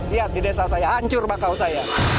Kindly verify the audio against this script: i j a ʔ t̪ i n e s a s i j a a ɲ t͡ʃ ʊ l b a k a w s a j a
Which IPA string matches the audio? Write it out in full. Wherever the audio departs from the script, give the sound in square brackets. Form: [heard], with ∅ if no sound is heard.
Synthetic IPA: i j a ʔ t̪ i [d] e s a s [a] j a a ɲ t͡ʃ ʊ [r] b a k a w s a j a